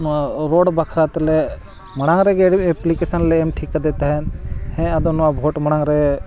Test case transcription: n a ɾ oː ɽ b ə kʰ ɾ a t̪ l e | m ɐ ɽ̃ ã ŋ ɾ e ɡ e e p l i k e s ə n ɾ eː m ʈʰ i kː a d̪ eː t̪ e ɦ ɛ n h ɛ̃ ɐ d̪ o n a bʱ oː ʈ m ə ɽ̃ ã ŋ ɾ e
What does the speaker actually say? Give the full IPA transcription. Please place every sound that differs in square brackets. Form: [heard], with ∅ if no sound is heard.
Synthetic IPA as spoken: n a ɾ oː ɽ b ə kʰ ɾ a t̪ l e | m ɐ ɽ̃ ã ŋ ɾ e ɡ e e p l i k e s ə n [l] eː m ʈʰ i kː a d̪ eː t̪ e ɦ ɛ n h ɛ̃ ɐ d̪ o n a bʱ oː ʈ m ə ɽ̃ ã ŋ ɾ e